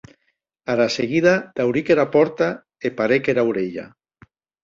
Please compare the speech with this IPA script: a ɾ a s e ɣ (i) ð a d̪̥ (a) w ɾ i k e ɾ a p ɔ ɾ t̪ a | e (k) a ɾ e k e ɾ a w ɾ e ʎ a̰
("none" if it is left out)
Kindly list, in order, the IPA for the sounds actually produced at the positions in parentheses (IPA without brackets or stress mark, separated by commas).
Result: i, a, p